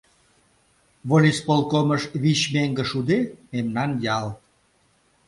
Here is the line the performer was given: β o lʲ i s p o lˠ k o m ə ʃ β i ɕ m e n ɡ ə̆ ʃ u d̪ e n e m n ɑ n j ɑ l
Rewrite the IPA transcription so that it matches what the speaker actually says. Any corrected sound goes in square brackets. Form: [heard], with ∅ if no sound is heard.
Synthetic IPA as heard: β o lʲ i s p o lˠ k o m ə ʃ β i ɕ m e [ŋ] ɡ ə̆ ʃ u d̪ e [m] e m n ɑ n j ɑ l